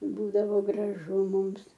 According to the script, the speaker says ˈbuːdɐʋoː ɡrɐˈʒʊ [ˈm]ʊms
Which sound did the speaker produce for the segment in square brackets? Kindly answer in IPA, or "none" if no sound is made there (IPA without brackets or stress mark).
m